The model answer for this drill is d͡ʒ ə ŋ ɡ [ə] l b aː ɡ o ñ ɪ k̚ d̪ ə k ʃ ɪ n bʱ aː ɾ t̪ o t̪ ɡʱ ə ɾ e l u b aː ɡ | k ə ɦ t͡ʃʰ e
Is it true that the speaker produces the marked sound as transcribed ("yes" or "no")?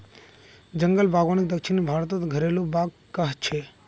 yes